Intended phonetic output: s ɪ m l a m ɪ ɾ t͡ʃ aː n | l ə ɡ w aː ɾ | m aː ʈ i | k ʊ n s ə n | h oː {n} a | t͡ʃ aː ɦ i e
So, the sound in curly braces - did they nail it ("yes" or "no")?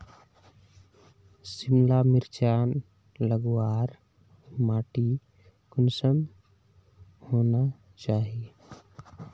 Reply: yes